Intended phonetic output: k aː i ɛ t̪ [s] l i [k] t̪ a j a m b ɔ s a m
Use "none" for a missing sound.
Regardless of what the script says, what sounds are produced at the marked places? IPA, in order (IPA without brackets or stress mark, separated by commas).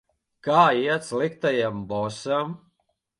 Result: s, k